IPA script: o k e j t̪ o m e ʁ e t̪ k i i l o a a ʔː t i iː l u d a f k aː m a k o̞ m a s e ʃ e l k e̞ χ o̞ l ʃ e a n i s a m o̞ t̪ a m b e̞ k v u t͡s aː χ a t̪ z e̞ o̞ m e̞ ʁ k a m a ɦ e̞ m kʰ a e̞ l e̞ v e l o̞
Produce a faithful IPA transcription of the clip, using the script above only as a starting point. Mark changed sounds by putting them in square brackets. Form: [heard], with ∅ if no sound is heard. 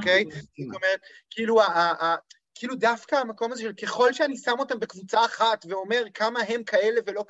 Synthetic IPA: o k e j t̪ o m e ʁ e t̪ k i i l [u] a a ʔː [k] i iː l u d a f k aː m a k o̞ m a [z] e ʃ e l k e̞ χ o̞ l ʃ e a n i s a m o̞ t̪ a m b e̞ k v u t͡s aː χ a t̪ [v] e̞ o̞ m e̞ ʁ k a m a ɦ e̞ m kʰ a e̞ l e̞ v e l o̞